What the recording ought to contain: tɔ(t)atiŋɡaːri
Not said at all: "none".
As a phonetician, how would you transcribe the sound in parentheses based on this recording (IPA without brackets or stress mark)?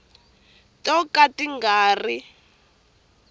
k